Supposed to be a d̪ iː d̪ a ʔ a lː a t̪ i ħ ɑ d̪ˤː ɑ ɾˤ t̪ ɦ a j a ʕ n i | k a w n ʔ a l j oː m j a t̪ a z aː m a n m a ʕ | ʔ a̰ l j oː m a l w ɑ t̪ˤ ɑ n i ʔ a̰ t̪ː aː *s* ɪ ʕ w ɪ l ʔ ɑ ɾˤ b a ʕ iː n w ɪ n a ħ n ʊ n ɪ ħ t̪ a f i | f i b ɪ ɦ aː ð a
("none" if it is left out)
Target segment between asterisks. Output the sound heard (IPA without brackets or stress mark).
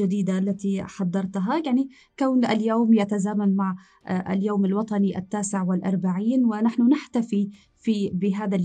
s